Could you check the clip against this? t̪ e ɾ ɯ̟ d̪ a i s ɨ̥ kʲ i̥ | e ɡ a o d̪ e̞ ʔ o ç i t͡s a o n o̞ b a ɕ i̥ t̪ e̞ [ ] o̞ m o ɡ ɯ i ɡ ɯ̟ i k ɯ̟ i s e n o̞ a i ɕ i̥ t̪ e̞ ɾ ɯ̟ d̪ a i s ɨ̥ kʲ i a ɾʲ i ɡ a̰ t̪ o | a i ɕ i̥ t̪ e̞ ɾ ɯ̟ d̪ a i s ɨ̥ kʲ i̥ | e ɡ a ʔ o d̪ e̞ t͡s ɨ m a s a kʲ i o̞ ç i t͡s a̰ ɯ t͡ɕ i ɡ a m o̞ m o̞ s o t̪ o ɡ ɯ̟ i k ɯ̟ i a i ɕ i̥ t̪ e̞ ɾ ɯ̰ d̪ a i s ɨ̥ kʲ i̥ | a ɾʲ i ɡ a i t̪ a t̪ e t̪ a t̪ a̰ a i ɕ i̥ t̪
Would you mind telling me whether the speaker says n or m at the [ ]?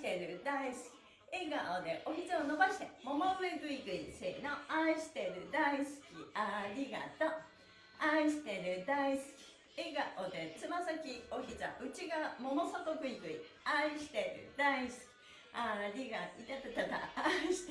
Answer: m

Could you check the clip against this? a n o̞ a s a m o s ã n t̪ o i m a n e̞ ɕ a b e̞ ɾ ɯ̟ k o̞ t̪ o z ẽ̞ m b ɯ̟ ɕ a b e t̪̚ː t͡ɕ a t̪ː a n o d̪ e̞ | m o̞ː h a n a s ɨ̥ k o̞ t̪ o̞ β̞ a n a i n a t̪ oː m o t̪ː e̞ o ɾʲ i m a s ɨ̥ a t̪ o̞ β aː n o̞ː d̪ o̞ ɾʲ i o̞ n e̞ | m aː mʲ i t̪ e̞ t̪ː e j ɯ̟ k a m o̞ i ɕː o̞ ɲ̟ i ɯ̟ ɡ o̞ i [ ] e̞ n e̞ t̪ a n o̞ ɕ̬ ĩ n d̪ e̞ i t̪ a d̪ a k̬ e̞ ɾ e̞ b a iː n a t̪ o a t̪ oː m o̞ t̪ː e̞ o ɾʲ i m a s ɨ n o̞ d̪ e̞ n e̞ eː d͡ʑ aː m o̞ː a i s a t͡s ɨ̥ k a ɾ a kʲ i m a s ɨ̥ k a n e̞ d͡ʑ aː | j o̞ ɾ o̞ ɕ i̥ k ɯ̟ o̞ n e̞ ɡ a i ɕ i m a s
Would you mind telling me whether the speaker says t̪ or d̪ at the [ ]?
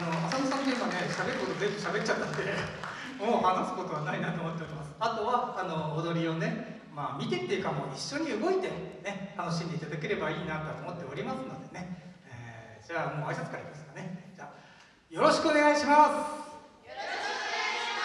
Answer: t̪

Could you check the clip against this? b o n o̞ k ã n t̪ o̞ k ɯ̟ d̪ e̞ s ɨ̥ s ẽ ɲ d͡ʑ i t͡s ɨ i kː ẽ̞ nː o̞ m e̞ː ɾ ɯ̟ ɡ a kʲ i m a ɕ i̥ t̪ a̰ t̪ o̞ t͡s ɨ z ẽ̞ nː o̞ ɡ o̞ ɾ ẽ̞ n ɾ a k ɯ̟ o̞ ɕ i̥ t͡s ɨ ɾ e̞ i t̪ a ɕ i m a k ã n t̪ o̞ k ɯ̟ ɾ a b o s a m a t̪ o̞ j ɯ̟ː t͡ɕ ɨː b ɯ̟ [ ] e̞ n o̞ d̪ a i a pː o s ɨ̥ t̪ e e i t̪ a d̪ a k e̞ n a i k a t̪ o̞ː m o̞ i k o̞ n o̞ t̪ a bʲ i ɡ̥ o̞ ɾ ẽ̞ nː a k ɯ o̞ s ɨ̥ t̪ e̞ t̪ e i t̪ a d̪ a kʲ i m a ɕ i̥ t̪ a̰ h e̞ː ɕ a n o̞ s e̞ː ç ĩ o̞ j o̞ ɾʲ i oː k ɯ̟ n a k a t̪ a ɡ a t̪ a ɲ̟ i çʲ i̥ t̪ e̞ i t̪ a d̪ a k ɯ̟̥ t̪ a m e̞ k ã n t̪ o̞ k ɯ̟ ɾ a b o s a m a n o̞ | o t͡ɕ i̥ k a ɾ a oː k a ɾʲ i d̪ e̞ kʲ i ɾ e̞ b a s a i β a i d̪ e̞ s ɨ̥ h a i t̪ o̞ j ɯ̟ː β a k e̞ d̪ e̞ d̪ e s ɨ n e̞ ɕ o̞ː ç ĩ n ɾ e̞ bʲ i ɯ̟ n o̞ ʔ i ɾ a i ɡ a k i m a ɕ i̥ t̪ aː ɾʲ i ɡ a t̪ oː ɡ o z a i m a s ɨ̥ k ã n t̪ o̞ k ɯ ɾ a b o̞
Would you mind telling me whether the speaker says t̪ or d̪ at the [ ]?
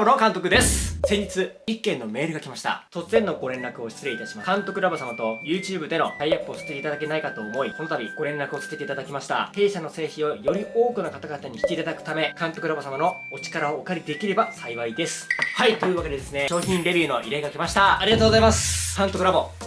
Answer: d̪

